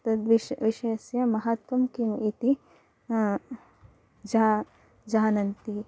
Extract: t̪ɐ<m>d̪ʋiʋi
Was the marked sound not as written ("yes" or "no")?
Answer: yes